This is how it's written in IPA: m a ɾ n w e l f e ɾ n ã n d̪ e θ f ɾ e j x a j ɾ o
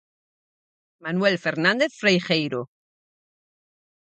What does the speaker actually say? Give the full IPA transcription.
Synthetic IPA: m a n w e l f e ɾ n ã n d̪ e θ f ɾ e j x e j ɾ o